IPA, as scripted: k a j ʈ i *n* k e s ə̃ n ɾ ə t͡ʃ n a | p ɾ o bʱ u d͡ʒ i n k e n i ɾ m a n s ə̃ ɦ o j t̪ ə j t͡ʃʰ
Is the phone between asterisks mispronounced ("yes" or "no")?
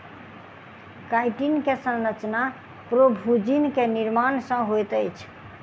no